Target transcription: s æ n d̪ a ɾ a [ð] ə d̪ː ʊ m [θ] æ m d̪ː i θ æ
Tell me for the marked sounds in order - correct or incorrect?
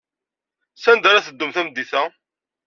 incorrect: θ, correct

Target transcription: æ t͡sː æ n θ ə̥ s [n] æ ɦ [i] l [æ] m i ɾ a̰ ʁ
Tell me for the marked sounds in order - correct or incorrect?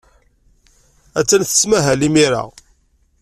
incorrect: m, incorrect: æ, incorrect: i

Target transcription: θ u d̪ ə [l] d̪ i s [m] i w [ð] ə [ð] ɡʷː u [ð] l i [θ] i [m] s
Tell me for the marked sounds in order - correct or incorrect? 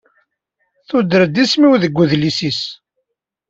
incorrect: ɾ, correct, correct, incorrect: none, correct, incorrect: s, incorrect: none

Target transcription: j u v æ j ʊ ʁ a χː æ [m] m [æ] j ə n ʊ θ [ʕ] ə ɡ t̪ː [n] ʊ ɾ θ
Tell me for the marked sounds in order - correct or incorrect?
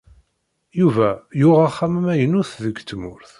correct, correct, incorrect: ð, incorrect: m

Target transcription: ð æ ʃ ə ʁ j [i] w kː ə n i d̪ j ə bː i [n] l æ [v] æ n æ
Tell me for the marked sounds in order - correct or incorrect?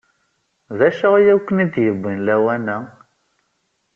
incorrect: æ, correct, incorrect: w

